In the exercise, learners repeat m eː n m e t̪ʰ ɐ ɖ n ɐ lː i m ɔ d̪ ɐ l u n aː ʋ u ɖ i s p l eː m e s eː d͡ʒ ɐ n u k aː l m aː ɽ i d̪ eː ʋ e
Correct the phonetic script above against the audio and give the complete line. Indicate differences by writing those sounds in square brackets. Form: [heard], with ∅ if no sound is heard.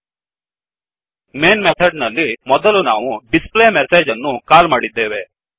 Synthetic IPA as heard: m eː n m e t̪ʰ ɐ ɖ n ɐ lː i m ɔ d̪ ɐ l u n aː ʋ u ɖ i s p l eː m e s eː d͡ʒ ɐ [nː] u k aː l m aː ɽ i [d̪ː] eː ʋ e